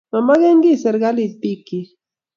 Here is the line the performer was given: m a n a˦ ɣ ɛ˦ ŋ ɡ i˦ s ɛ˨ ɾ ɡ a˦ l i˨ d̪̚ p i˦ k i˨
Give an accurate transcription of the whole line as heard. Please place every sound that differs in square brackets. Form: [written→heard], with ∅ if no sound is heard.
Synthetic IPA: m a [n→m] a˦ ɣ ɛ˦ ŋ ɡ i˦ s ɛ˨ ɾ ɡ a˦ l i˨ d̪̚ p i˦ k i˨